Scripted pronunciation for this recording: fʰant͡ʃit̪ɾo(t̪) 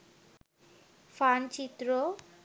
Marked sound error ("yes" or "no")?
yes